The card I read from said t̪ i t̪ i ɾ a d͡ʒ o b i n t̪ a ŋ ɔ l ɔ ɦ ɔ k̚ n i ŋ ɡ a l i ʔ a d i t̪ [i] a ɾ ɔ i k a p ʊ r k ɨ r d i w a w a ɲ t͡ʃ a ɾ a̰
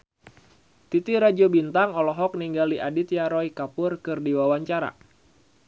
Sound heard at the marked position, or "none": j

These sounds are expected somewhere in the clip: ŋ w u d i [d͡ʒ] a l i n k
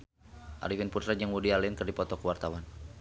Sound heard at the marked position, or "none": none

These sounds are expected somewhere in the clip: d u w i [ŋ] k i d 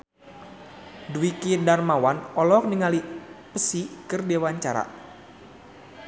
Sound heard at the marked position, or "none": none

